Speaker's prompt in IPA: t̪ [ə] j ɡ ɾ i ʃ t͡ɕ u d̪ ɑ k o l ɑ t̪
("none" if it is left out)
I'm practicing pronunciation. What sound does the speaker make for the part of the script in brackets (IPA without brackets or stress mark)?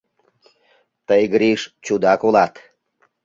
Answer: ə